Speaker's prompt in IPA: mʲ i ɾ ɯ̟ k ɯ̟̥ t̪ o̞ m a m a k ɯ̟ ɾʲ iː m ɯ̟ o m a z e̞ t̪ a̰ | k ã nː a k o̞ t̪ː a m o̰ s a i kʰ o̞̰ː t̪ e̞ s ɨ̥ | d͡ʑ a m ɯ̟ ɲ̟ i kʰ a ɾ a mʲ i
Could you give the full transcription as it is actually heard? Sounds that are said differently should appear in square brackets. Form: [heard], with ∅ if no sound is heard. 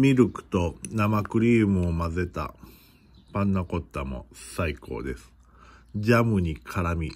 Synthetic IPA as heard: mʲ i ɾ ɯ̟ k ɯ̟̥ t̪ o̞ [n] a m a k ɯ̟ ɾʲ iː m ɯ̟ o m a z e̞ t̪ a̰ | [p] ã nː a k o̞ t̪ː a m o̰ s a i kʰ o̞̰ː [d̪] e̞ s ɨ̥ | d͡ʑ a m ɯ̟ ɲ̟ i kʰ a ɾ a mʲ i